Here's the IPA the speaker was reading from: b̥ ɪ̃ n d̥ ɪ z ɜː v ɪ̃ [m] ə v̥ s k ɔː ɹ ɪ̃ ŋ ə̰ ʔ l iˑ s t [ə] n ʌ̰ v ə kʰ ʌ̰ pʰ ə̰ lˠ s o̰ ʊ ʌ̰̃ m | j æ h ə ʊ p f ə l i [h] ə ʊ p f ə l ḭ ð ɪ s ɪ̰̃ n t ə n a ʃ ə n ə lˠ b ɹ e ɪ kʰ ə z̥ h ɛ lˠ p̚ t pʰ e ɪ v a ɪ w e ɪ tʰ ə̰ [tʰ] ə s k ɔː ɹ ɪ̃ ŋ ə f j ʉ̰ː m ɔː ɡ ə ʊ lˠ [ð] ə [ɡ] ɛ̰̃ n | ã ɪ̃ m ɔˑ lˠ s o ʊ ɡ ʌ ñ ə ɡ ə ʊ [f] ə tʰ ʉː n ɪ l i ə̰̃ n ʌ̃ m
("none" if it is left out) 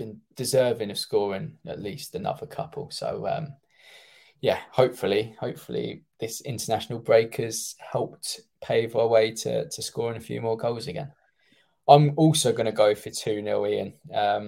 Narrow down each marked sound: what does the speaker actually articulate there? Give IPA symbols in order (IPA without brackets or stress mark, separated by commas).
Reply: ŋ, ə, h, tʰ, z, ɡ, f